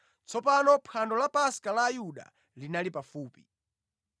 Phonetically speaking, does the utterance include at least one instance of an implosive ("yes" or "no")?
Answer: yes